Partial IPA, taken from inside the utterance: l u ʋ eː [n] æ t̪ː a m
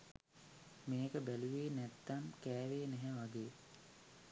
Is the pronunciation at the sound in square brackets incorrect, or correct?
correct